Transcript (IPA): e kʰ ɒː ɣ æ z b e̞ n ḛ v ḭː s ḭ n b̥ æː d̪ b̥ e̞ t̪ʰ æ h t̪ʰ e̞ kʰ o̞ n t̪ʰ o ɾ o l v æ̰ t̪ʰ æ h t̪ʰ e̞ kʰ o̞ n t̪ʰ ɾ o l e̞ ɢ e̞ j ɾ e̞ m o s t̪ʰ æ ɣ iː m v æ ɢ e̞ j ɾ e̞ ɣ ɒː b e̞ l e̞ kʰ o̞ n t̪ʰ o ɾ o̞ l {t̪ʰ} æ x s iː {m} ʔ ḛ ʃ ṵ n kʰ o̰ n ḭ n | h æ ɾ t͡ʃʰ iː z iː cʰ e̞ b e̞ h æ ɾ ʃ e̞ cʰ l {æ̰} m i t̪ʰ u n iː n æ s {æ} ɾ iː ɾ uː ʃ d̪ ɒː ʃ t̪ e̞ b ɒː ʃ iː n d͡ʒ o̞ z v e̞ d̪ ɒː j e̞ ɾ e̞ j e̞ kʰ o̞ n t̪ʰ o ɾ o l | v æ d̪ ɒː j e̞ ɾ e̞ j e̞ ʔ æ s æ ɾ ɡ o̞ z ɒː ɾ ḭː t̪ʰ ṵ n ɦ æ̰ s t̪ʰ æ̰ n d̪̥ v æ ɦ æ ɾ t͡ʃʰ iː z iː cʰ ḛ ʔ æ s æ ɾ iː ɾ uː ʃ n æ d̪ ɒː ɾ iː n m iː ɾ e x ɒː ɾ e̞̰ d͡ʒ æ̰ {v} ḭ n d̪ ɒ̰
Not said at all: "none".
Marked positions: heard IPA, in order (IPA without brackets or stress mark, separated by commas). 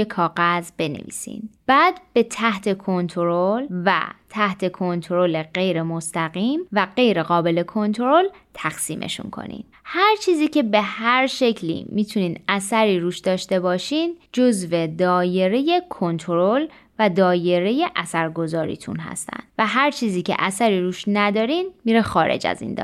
t̪ʰ, m, ḭ, æ, z